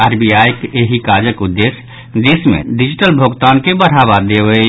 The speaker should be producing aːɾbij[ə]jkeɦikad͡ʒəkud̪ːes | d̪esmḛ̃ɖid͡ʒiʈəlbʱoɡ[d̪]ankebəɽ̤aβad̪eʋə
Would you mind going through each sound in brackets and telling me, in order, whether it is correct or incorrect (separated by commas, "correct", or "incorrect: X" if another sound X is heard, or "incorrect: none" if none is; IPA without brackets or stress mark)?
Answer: incorrect: a, incorrect: t̪